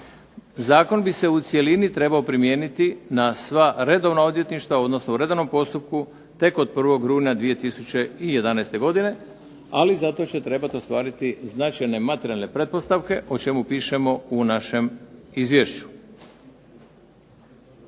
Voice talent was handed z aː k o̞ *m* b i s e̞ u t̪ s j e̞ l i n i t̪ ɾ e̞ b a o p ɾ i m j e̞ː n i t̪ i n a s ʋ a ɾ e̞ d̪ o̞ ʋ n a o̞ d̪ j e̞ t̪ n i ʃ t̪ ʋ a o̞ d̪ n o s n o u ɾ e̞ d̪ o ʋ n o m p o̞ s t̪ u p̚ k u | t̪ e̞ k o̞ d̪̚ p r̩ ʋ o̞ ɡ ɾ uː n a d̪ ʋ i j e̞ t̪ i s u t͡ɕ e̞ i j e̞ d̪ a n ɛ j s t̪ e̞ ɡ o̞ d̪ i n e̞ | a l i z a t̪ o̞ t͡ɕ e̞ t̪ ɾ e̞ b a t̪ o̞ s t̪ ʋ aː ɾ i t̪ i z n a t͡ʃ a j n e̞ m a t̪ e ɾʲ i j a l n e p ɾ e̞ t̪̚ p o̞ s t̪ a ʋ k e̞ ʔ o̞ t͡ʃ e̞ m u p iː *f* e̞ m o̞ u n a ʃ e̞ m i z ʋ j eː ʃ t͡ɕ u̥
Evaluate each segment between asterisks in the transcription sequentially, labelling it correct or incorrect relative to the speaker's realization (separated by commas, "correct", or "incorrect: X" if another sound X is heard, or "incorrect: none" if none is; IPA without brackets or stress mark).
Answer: incorrect: n, incorrect: ʃ